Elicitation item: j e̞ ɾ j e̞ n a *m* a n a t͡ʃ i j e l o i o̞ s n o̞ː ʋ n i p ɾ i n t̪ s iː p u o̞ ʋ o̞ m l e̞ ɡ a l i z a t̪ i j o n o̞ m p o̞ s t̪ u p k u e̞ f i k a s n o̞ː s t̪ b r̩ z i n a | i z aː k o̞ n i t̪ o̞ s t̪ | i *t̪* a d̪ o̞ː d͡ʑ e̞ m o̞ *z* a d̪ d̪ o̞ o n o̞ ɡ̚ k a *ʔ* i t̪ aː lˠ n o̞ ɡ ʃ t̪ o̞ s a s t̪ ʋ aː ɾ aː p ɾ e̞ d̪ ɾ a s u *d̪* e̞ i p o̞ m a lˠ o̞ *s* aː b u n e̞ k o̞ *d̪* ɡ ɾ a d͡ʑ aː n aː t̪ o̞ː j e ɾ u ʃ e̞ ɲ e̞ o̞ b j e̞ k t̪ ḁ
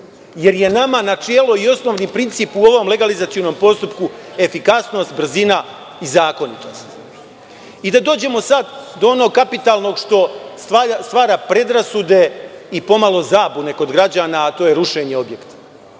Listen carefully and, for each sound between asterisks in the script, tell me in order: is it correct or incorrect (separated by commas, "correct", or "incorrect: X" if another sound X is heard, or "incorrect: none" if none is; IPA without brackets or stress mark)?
correct, incorrect: d̪, incorrect: s, incorrect: p, correct, incorrect: z, correct